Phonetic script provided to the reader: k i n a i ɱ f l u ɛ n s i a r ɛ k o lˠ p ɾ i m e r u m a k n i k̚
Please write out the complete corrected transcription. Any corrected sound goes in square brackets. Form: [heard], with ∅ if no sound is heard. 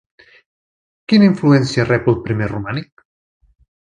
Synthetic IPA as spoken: k i n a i ɱ f l u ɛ n s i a r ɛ [p] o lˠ p ɾ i m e r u m a [∅] n i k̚

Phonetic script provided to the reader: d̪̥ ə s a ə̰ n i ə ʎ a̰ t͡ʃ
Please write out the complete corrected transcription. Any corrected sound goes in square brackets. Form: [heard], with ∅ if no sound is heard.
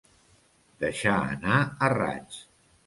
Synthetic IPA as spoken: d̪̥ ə [ʃ] a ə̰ n [a] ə [r] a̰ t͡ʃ

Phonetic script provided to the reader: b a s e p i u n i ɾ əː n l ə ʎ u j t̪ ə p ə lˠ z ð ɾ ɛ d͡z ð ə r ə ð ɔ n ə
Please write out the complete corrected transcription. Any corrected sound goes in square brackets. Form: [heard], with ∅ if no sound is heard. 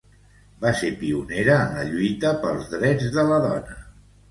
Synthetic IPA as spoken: b a s e p i u n [e] ɾ əː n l ə ʎ u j t̪ ə p ə lˠ z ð ɾ ɛ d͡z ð ə [l] ə ð ɔ n ə

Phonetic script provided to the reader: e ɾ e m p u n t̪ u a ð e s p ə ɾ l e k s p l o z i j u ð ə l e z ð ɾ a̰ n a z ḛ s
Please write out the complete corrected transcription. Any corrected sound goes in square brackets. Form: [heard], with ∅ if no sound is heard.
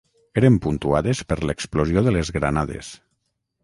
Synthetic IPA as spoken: e ɾ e m p u n t̪ u a ð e s p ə ɾ l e k s p l o z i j [o] ð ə l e z [ɣ] ɾ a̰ n a [ð] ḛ s

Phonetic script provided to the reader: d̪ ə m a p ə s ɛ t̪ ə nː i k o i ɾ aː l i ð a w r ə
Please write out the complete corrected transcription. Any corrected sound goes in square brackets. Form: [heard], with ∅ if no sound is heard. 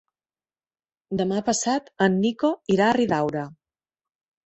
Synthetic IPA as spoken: d̪ ə m a p ə s [a] t̪ ə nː i k o i ɾ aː [r] i ð a w [ɾ] ə

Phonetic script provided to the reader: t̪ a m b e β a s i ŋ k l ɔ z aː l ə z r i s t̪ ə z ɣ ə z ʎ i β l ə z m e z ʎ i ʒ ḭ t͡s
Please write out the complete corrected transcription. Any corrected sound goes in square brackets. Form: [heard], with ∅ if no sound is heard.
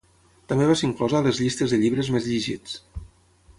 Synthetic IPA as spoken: t̪ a m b e β a s i ŋ k l ɔ z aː l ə z [ʎ] i s t̪ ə z [ð] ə [∅] ʎ i β [ɾ] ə z m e z ʎ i ʒ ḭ t͡s

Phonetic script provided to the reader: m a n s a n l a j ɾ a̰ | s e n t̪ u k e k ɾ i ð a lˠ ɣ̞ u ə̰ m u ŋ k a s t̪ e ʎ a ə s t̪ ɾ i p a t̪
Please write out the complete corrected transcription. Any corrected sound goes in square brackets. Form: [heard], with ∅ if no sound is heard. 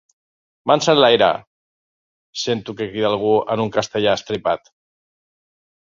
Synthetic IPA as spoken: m a n s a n l a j ɾ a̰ | s e n t̪ u k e k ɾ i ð a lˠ ɣ̞ u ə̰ [n] u ŋ k a s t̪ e ʎ a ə s t̪ ɾ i p a t̪

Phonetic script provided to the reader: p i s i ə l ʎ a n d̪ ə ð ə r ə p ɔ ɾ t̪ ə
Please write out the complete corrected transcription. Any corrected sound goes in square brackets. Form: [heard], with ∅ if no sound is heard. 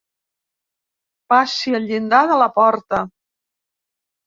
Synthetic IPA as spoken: p [a] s i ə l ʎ [i] n d̪ [a] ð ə [l] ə p ɔ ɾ t̪ ə

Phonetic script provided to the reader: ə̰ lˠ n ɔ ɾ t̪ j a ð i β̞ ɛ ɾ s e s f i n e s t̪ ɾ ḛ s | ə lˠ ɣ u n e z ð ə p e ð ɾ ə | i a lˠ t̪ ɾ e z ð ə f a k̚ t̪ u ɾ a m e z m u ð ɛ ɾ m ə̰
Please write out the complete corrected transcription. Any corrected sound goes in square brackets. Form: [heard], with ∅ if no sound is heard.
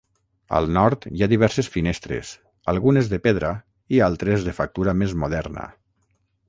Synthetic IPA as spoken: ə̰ lˠ n ɔ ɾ t̪ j a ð i β̞ ɛ ɾ s e s f i n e s t̪ ɾ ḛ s | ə lˠ ɣ u n e z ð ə p e ð ɾ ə | i a lˠ t̪ ɾ e z ð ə f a k̚ t̪ u ɾ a m e z m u ð ɛ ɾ [n] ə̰

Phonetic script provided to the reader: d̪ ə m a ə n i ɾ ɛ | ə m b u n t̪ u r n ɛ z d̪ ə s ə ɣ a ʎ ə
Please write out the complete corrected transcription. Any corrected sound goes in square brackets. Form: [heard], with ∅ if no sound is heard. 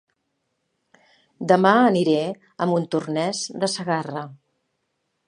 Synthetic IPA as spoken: d̪ ə m a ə n i ɾ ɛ | ə m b u n t̪ u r n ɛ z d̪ ə s ə ɣ a [r] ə

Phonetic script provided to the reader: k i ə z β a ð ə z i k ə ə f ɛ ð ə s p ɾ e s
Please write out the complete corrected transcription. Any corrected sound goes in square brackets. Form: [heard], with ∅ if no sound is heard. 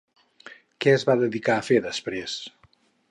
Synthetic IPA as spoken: k [ɛ] ə z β a ð ə [ð] i k [a] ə f [e] ð ə s p ɾ e s

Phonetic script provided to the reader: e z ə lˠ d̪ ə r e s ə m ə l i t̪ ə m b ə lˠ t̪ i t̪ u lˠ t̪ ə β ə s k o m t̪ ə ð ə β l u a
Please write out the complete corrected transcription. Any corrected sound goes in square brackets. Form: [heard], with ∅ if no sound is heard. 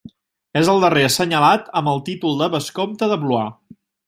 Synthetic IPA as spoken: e z ə lˠ d̪ ə r e s ə [ɲ] ə l [a] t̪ ə m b ə lˠ t̪ i t̪ u lˠ [d̪] ə β ə s k o m t̪ ə ð ə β l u a

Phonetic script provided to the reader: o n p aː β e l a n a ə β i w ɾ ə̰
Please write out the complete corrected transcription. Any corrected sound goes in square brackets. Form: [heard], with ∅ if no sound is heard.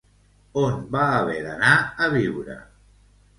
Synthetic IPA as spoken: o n [b] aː β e [ɾ] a n a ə β i w ɾ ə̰

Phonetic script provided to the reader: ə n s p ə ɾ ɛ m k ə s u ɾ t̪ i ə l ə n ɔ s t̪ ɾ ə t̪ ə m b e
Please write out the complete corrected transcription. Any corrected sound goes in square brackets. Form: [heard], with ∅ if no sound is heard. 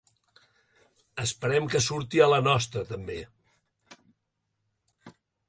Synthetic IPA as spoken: ə [∅] s p ə ɾ ɛ m k ə s u ɾ t̪ i ə l ə n ɔ s t̪ ɾ ə t̪ ə m b e

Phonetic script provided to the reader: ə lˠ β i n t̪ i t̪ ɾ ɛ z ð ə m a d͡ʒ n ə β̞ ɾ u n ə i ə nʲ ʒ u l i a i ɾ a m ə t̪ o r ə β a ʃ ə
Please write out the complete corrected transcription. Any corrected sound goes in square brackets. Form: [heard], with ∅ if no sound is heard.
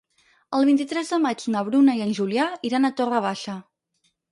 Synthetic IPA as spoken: ə lˠ β i n t̪ i t̪ ɾ ɛ z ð ə m a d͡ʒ n ə β̞ ɾ u n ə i ə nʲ ʒ u l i a i ɾ a [n] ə t̪ o r ə β a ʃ ə

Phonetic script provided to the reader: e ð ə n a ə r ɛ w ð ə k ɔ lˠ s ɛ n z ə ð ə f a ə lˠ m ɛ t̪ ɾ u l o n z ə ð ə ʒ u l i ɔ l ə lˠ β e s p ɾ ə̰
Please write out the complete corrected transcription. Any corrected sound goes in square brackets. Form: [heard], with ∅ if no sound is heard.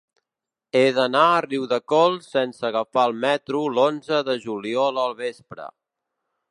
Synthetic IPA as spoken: e ð ə n a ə r [i] w ð ə k ɔ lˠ s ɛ n [s] ə [ɣ] ə f a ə lˠ m ɛ t̪ ɾ u l o n z ə ð ə ʒ u l i ɔ l ə lˠ β e s p ɾ ə̰

